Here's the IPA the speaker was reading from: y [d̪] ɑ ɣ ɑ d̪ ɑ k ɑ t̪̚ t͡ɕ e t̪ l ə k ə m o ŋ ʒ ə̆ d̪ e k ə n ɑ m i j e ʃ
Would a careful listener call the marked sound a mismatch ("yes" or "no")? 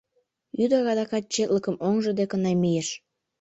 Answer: no